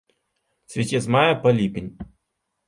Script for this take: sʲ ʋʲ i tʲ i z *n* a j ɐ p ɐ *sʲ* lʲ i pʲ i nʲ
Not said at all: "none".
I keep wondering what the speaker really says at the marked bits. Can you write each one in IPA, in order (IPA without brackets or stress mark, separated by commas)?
m, none